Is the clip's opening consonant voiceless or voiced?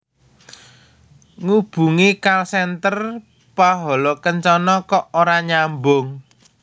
voiced